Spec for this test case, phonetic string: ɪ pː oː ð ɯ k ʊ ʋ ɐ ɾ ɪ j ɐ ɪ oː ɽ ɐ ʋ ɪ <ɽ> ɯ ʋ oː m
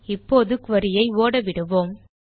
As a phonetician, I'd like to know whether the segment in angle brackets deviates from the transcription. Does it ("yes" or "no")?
no